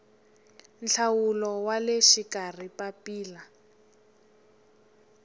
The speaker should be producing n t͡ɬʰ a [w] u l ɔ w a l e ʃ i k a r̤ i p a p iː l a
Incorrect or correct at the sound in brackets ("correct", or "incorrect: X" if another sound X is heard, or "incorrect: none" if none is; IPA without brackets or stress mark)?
correct